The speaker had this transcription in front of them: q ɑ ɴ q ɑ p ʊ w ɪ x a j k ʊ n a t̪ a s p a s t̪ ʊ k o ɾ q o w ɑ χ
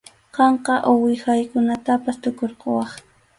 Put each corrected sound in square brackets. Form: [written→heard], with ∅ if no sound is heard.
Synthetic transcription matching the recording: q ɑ ɴ q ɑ [p→ʔ] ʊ w ɪ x a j k ʊ n a t̪ a [s→∅] p a s t̪ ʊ k o ɾ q o w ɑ χ